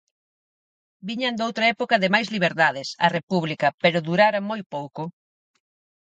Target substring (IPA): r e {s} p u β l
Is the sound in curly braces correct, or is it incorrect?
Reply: incorrect